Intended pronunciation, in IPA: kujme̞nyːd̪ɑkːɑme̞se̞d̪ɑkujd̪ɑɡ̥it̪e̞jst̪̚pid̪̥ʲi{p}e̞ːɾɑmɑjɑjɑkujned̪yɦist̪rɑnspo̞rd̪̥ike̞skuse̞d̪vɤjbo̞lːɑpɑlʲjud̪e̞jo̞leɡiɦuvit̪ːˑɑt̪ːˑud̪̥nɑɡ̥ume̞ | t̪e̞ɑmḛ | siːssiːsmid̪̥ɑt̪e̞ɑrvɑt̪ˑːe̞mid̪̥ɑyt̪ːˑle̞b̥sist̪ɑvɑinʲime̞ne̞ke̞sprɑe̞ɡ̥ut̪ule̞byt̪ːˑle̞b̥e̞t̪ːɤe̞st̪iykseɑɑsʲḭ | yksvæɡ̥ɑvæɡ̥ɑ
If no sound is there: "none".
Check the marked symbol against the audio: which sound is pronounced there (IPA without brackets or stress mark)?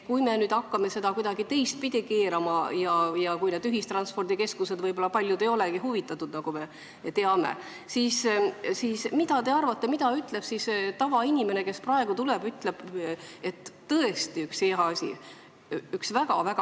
k